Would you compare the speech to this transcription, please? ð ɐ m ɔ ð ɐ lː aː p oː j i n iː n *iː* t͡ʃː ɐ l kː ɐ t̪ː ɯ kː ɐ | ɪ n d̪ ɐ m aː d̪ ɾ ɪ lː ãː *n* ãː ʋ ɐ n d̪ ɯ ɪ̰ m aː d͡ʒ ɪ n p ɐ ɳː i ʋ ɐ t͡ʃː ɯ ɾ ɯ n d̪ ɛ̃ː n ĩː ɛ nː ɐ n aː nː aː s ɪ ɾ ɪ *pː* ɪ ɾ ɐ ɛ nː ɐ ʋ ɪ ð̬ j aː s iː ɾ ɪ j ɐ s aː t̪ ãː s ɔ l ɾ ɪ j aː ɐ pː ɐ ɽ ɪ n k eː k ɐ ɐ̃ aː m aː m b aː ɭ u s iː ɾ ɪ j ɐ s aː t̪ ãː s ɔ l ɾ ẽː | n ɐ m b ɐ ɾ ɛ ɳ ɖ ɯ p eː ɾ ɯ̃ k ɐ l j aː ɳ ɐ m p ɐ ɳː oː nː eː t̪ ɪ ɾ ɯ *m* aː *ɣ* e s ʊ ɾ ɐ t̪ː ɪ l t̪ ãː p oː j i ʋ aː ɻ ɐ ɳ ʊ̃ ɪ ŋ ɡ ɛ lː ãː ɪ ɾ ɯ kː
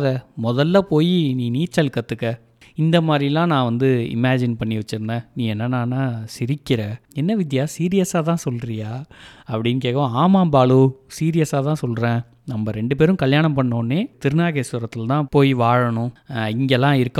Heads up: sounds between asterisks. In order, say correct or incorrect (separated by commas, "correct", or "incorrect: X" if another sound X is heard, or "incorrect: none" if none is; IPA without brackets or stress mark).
correct, correct, incorrect: kː, incorrect: n, correct